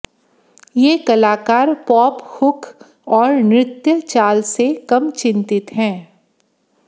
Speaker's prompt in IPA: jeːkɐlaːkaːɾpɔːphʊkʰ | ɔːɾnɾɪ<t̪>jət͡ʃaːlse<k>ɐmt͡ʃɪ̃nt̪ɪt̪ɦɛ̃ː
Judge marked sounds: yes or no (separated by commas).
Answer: yes, yes